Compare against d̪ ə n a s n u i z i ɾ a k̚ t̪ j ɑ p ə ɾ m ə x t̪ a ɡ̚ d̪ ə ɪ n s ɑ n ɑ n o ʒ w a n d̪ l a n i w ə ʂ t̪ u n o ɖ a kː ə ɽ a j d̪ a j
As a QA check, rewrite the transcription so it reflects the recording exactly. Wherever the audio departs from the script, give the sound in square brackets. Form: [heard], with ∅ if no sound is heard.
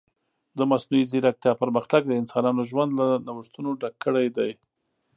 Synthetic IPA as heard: d̪ ə [m] a s n u i z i ɾ a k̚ t̪ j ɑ p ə ɾ m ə x t̪ a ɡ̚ d̪ ə ɪ n s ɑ n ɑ n o ʒ w a n d̪ l a n [a] w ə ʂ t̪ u n o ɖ a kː ə ɽ a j d̪ a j